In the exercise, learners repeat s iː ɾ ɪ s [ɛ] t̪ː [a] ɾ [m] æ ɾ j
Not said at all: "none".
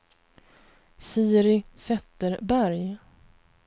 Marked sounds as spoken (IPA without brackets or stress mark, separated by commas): ɛ, ə, b